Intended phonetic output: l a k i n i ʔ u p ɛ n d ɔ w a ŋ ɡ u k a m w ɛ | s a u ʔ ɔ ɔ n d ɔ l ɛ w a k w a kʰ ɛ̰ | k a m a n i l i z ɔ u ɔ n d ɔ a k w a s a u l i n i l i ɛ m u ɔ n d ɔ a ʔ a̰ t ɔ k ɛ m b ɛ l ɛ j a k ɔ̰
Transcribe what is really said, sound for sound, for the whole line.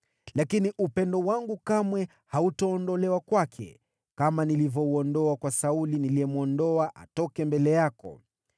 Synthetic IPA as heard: l a k i n i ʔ u p ɛ n d ɔ w a ŋ ɡ u k a m w ɛ | h a u t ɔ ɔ n d ɔ l ɛ w a k w a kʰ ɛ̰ | k a m a n i l i v ɔ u ɔ n d ɔ a k w a s a u l i n i l i ɛ m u ɔ n d ɔ a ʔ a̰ t ɔ k ɛ m b ɛ l ɛ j a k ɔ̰